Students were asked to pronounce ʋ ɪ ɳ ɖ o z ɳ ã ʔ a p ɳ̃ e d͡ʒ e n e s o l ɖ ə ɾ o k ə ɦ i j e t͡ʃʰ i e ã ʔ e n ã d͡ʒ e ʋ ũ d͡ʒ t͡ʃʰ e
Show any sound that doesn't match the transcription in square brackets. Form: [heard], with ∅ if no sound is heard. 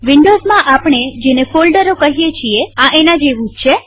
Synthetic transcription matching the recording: ʋ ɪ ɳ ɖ o z [m] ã ʔ a p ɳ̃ e d͡ʒ e n e [f] o l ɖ ə ɾ o k ə ɦ i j e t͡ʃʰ i e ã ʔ e n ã d͡ʒ e ʋ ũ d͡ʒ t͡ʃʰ e